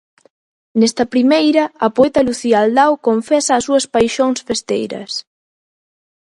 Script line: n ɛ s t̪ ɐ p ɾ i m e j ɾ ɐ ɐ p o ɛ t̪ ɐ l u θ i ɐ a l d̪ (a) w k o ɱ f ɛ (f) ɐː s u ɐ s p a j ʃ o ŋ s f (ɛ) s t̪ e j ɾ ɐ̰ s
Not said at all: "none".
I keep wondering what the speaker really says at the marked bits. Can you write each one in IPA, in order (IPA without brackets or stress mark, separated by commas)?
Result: a, s, e